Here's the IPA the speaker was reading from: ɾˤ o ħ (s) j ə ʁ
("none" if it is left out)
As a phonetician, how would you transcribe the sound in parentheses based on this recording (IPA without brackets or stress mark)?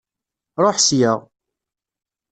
s